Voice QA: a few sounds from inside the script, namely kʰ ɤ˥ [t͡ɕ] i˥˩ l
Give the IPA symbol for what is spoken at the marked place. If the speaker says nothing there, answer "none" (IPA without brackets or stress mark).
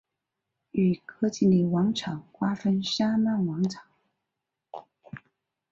t͡ɕ